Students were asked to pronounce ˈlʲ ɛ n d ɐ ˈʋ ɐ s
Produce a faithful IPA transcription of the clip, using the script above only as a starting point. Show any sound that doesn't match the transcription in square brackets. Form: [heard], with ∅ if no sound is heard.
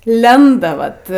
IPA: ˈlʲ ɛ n d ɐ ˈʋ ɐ [t]